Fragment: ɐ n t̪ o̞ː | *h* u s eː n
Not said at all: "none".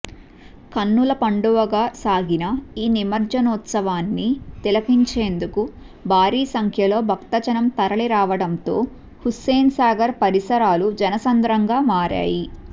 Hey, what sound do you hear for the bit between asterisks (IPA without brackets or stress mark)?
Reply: h